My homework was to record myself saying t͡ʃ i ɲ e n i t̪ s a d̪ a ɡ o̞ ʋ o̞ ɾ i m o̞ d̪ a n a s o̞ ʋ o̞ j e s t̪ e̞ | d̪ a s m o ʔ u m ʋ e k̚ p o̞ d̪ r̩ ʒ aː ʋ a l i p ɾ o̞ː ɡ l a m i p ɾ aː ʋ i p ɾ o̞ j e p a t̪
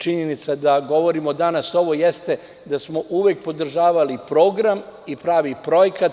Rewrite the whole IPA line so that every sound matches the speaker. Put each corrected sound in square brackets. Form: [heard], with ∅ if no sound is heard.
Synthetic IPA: t͡ʃ i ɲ e n i t̪ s a d̪ a ɡ o̞ ʋ o̞ ɾ i m o̞ d̪ a n a s o̞ ʋ o̞ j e s t̪ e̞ | d̪ a s m o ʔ u [∅] ʋ e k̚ p o̞ d̪ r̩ ʒ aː ʋ a l i p ɾ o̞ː ɡ [ɾ] a m i p ɾ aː ʋ i p ɾ o̞ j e [k] a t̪